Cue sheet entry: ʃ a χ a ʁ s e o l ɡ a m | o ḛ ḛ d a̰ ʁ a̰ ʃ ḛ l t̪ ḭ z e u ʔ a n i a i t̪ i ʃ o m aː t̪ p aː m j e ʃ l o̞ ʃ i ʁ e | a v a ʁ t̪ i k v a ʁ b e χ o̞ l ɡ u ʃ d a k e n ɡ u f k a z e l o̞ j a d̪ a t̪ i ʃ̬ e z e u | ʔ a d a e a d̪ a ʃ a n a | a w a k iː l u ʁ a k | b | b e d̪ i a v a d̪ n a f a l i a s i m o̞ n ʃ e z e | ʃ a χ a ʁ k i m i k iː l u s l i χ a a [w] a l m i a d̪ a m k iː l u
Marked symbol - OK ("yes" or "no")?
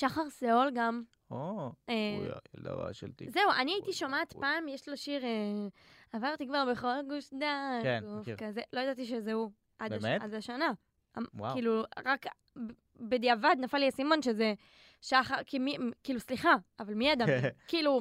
no